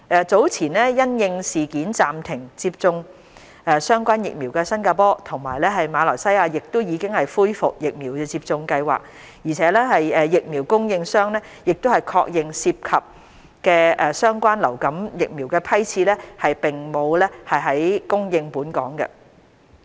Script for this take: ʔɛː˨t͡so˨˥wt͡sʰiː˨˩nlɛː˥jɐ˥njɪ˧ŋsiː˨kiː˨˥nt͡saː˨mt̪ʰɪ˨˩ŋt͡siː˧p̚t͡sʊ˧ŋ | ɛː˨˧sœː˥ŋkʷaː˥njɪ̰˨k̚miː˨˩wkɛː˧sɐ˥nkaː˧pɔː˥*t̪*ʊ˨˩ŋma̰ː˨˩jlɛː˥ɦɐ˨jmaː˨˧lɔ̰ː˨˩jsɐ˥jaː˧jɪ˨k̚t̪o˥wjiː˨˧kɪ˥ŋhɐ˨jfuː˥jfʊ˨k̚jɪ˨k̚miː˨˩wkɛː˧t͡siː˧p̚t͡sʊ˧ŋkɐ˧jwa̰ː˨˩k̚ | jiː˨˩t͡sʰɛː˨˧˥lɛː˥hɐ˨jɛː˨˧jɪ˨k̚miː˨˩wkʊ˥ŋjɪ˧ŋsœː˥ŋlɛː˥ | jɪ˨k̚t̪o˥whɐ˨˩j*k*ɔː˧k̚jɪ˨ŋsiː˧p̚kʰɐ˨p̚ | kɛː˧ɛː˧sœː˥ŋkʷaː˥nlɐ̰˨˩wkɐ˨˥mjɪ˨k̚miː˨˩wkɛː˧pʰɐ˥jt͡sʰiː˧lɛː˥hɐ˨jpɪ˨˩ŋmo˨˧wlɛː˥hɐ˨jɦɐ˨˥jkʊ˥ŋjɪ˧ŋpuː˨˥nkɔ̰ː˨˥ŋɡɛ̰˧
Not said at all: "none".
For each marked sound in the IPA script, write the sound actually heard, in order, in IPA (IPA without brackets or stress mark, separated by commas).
t̪ʰ, kʰ